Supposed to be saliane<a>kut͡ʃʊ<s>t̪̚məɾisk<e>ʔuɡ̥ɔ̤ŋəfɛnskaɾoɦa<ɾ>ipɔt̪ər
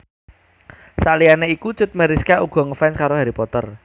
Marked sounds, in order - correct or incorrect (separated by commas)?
incorrect, incorrect, incorrect, correct